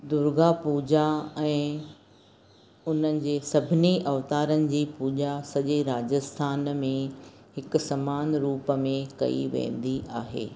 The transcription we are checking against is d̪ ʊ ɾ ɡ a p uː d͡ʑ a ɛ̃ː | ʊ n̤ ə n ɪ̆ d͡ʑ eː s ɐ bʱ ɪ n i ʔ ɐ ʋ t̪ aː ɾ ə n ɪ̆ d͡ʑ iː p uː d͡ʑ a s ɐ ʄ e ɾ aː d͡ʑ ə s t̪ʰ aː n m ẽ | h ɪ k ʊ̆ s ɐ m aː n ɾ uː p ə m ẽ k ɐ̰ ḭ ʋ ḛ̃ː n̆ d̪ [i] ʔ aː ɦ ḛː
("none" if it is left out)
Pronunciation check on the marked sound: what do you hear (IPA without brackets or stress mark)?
i